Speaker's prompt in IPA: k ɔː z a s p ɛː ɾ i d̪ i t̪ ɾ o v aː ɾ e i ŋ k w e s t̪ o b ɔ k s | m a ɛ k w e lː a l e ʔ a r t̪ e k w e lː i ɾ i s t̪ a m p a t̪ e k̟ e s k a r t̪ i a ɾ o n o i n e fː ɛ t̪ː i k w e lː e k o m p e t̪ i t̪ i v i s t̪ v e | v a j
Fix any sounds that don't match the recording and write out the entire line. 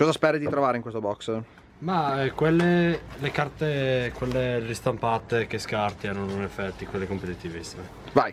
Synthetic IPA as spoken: k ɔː z a s p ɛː ɾ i d̪ i t̪ ɾ o v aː ɾ e i ŋ k w e s t̪ o b ɔ k s | m a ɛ k w e lː e l e k a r t̪ e k w e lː e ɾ i s t̪ a m p a t̪ e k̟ e s k a r t̪ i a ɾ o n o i n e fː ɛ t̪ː i k w e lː e k o m p e t̪ i t̪ i v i s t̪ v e | v a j